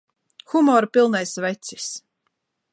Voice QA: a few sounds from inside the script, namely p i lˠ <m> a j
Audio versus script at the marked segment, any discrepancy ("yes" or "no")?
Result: yes